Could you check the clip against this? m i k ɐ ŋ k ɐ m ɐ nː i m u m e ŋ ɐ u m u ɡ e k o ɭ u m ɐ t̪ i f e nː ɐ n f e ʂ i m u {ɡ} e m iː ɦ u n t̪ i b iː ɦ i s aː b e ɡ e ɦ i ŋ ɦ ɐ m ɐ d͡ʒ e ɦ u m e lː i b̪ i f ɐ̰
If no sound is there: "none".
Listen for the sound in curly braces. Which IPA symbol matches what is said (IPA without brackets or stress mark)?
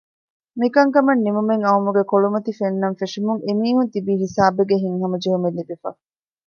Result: ŋ